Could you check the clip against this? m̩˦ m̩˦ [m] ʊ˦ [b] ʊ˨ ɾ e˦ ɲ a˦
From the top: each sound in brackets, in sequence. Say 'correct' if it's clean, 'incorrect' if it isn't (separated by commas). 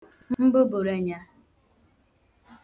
incorrect, correct